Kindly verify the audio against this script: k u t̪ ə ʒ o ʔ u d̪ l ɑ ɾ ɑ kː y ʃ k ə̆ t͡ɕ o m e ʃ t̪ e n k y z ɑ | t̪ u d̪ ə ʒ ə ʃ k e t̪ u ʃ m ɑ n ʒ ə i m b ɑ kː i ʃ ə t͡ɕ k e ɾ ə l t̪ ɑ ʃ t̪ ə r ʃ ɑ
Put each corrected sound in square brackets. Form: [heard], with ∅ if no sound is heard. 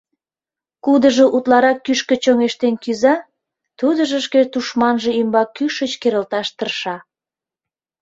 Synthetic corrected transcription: k u [d̪] ə ʒ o ʔ u [t̪] l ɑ ɾ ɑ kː y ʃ k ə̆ t͡ɕ o [ŋ] e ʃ t̪ e n k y z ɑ | t̪ u d̪ ə ʒ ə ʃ k e t̪ u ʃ m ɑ n ʒ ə i m b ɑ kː [y] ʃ ə t͡ɕ k e ɾ ə l t̪ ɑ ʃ t̪ ə r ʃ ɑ